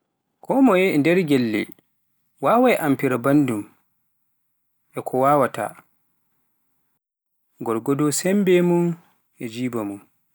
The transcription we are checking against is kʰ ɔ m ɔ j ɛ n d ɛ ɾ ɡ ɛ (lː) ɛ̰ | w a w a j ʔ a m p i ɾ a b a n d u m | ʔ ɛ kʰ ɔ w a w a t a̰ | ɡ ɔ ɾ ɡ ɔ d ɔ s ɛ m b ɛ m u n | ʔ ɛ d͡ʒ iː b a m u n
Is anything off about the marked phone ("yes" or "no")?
no